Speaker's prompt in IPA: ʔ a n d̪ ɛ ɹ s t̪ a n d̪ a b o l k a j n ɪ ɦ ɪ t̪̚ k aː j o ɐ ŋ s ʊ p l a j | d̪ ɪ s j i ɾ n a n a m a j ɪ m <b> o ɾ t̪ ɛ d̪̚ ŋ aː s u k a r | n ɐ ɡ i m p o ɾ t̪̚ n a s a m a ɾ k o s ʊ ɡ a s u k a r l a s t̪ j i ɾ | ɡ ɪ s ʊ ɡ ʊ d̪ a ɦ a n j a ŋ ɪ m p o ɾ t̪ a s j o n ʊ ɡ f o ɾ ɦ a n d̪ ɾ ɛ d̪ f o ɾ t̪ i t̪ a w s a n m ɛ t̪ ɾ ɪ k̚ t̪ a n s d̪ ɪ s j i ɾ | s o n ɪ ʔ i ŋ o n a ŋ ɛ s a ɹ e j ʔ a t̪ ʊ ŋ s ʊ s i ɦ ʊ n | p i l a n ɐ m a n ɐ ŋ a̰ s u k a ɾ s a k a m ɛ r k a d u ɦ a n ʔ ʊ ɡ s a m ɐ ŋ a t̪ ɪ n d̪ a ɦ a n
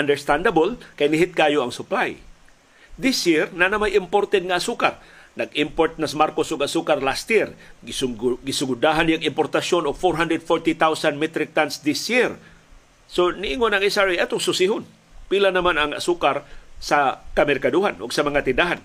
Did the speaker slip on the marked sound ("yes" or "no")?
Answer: yes